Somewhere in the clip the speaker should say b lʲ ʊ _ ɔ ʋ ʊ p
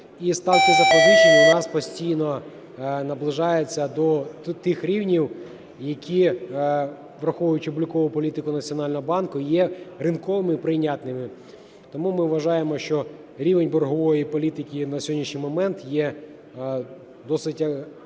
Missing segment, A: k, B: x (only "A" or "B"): A